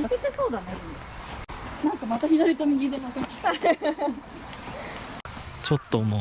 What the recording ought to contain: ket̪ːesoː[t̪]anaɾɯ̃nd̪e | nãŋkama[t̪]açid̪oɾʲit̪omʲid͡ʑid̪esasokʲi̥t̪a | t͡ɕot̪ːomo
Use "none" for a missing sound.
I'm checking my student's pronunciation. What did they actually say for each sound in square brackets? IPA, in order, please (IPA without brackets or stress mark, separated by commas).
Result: d̪, t̪